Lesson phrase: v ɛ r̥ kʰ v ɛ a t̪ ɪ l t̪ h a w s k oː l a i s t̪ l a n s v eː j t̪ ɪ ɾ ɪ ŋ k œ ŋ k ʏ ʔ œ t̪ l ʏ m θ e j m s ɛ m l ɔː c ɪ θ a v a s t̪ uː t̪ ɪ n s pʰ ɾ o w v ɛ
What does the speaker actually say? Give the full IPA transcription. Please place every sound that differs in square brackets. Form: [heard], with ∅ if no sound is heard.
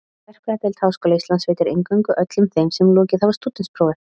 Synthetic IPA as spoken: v ɛ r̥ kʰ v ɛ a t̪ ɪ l t̪ h a w s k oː l a i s t̪ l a n s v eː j t̪ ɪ ɾ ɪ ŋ k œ ŋ k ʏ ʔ œ t̪ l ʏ m θ e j m s ɛ m l ɔː c ɪ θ a v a s t̪ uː t̪ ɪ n s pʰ ɾ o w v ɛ